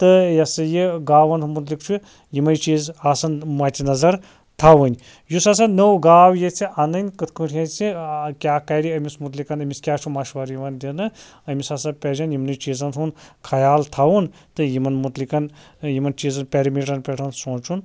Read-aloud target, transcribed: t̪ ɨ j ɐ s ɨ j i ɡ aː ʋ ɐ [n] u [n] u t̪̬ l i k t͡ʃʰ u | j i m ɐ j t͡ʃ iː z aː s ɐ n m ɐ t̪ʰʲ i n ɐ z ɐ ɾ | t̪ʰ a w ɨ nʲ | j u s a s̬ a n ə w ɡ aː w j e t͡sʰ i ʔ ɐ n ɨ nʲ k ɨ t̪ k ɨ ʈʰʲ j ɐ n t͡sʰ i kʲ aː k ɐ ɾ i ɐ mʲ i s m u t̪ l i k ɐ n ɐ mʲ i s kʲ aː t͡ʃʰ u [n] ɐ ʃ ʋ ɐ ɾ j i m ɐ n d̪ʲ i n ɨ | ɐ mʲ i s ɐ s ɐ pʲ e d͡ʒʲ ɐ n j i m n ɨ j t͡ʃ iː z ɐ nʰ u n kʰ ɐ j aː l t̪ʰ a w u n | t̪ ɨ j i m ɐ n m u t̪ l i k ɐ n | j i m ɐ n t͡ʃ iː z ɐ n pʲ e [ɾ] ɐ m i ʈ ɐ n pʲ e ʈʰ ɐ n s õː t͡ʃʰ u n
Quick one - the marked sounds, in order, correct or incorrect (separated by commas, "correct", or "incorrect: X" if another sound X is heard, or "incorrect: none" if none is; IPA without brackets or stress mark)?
correct, incorrect: m, incorrect: m, correct